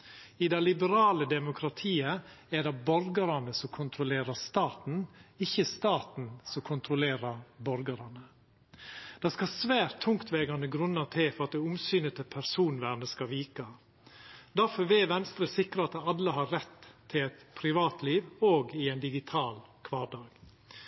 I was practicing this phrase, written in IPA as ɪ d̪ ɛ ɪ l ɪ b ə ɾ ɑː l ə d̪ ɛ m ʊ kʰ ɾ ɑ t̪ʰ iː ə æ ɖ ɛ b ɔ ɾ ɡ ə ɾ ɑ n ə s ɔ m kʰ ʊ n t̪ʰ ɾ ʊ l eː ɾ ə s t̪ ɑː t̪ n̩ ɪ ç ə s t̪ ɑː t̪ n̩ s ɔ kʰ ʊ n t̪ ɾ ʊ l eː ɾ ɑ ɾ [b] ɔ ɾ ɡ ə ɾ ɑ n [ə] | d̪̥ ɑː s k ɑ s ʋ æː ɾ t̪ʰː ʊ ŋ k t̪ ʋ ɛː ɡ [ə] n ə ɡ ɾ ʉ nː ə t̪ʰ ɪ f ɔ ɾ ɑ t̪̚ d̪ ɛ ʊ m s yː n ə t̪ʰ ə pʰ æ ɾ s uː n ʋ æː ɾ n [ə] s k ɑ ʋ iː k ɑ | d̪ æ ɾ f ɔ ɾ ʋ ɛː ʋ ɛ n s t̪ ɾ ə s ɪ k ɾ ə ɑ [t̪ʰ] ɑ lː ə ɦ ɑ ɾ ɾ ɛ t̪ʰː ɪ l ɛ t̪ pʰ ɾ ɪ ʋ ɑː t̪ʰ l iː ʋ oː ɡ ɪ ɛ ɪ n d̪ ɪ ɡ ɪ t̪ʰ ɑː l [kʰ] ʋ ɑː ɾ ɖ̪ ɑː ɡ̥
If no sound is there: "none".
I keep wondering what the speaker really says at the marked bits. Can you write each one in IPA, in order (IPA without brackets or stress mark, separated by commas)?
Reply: b, ə, ɑ, ə, t̪, kʰ